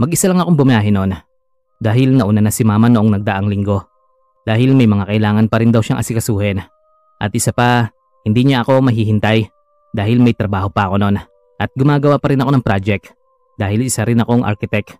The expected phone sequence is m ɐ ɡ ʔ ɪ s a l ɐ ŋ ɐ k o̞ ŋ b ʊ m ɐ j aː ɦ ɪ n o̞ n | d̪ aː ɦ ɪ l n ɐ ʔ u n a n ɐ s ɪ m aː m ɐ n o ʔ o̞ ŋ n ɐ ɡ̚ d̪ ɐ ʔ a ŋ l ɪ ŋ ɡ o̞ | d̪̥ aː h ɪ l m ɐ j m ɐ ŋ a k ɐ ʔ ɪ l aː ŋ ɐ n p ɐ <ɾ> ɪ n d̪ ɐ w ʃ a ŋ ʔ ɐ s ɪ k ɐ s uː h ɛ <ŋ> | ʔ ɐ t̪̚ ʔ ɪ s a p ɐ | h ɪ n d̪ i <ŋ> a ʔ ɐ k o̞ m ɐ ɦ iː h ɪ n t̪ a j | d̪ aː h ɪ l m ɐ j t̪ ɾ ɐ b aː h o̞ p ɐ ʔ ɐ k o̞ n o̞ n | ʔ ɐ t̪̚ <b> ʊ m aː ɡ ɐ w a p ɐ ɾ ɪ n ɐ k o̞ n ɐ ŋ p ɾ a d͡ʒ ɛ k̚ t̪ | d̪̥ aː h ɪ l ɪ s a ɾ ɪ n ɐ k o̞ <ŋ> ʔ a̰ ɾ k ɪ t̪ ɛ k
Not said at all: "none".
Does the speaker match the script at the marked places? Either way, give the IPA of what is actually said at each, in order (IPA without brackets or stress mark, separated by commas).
ɾ, n, ɲ, ɡ, ŋ